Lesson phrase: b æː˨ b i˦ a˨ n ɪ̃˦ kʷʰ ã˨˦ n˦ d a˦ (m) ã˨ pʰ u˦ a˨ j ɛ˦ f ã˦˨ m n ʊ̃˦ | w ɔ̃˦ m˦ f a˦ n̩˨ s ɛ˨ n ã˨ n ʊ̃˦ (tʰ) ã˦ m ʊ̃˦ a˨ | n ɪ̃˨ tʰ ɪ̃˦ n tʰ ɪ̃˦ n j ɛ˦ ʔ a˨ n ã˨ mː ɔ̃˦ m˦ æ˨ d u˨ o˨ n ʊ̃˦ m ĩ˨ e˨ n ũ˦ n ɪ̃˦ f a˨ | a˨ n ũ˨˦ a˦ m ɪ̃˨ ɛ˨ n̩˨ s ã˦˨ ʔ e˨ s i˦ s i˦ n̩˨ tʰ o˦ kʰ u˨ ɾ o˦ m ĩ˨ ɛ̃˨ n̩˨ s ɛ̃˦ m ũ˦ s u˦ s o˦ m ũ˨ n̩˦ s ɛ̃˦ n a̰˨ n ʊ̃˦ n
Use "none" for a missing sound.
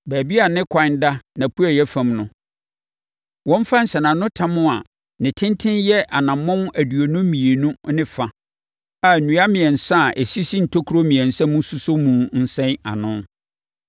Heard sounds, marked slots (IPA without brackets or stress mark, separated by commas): n, tʰ